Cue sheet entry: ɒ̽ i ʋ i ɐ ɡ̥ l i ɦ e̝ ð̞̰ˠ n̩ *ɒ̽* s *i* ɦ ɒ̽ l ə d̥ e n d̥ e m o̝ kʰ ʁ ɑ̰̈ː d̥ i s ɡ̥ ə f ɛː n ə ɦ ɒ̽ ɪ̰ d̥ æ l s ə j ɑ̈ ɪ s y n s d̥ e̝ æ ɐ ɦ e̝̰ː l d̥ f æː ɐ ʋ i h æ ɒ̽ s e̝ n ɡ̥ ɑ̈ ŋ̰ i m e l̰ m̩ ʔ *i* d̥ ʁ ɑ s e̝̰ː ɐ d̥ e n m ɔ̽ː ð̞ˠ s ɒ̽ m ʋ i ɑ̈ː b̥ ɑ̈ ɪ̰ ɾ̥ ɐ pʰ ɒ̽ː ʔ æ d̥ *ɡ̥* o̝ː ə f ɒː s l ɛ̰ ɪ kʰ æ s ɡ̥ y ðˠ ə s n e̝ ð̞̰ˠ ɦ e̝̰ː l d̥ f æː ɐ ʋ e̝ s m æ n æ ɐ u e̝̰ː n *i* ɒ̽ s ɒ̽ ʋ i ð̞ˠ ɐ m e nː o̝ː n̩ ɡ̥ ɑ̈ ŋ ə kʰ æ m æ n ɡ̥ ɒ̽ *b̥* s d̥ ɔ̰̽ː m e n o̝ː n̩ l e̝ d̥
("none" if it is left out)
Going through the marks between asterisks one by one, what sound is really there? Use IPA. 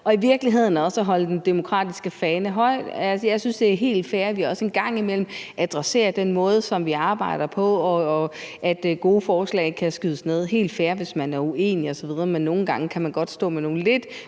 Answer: ɒ̽, æ, æ, ɡ̥, i, d̥

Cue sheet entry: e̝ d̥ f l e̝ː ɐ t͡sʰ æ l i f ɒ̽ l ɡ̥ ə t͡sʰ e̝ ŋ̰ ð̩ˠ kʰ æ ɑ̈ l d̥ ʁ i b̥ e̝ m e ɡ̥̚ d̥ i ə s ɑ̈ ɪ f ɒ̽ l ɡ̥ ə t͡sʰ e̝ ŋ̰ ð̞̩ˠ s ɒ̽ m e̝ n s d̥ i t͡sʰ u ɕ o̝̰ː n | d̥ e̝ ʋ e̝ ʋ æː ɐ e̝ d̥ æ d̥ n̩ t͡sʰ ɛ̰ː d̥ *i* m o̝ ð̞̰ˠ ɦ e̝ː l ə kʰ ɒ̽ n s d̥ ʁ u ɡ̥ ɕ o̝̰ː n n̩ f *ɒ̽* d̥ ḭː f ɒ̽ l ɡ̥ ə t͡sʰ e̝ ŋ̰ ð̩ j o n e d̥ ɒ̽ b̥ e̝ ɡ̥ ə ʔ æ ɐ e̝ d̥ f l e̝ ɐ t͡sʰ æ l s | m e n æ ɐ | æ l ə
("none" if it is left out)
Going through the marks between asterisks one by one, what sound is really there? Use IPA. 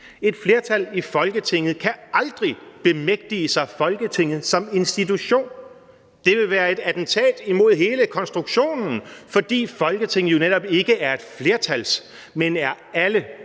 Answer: i, ɒ̽

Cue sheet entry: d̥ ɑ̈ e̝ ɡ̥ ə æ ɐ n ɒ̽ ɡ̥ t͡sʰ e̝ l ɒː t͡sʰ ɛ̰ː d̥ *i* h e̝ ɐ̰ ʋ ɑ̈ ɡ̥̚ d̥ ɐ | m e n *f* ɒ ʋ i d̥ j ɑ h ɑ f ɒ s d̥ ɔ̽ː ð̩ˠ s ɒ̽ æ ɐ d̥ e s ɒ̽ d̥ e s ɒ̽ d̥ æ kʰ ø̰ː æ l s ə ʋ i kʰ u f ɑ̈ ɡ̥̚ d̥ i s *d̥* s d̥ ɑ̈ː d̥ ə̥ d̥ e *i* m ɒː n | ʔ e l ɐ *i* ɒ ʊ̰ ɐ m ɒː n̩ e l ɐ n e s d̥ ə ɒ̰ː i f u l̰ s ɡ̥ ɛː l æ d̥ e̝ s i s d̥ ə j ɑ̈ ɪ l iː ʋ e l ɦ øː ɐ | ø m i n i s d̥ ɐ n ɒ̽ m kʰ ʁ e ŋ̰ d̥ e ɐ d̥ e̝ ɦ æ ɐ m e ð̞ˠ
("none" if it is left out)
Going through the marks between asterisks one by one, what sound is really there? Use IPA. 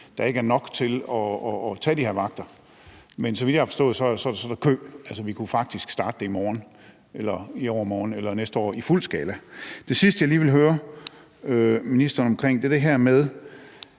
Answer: i, s, ɡ̥, i, i

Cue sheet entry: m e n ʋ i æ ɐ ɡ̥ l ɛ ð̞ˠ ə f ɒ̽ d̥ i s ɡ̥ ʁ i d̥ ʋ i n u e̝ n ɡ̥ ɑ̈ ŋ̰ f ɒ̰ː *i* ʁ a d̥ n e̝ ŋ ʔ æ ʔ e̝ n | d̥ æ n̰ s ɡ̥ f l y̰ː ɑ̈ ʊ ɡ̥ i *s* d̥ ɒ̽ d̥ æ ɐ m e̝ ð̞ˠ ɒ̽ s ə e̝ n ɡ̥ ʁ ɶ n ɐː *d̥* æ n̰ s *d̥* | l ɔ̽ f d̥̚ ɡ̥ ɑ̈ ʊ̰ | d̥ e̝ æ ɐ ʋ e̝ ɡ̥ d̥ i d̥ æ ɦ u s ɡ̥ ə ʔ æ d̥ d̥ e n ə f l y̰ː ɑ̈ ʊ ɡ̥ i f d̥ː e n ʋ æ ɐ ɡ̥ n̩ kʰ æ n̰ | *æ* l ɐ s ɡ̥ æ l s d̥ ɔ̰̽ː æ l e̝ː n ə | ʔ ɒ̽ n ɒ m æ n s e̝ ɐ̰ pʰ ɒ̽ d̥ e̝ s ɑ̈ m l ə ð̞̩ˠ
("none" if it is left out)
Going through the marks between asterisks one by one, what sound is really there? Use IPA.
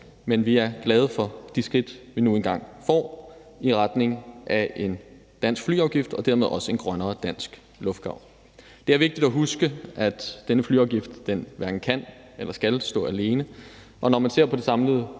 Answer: i, f, d̥, ɡ̥, e

